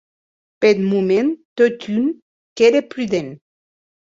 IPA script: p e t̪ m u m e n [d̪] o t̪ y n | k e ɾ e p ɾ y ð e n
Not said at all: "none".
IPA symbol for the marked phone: t̪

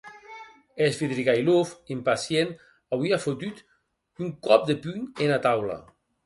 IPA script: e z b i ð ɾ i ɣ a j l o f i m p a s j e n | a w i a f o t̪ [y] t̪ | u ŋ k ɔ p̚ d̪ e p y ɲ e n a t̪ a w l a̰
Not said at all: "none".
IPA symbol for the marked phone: y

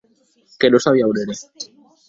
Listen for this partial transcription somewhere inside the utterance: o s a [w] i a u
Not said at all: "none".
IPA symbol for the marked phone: β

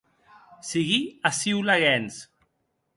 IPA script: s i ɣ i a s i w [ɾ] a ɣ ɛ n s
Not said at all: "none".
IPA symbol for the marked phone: l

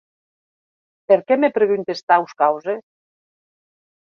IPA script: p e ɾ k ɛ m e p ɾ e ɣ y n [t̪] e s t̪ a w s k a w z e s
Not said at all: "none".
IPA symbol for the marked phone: t̪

